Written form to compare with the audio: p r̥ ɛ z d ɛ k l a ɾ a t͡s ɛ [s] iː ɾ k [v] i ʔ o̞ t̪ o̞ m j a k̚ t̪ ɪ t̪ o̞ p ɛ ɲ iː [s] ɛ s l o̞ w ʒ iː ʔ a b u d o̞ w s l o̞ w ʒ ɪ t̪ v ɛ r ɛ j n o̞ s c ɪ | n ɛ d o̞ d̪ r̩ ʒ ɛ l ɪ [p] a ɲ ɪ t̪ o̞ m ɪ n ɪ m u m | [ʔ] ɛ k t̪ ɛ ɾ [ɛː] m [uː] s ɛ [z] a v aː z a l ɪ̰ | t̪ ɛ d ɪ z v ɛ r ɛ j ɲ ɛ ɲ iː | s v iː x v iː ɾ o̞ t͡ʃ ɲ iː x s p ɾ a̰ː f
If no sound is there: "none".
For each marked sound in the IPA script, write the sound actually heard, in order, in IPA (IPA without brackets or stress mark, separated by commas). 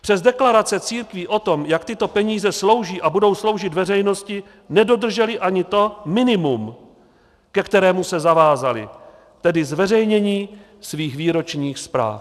t͡s, v, z, ʔ, k, ɛː, u, z